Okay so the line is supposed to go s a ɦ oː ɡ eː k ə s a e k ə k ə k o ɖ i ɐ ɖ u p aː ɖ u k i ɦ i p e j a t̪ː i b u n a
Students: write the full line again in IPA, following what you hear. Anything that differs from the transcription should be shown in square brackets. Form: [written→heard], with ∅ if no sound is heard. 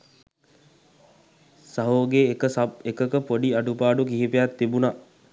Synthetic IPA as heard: s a ɦ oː ɡ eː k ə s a e k ə k ə [k→p] o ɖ i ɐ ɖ u p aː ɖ u k i ɦ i p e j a t̪ː i b u n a